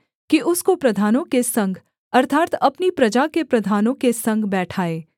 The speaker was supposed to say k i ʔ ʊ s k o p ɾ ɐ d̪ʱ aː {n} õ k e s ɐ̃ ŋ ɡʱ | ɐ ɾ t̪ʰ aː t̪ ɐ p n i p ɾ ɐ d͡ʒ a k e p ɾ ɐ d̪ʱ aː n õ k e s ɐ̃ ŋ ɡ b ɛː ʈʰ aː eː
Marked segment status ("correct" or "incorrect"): correct